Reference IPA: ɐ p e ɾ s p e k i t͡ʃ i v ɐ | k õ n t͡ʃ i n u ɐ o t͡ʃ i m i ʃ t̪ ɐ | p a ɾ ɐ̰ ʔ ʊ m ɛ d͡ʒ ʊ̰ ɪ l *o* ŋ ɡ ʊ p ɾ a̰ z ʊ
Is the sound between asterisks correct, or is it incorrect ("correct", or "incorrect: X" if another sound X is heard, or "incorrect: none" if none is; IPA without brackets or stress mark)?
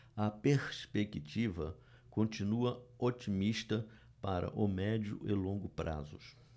incorrect: õ